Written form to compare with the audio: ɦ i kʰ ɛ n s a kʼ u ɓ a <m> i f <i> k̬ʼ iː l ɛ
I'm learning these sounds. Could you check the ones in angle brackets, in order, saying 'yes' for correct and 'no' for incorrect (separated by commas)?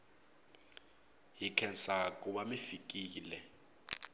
yes, yes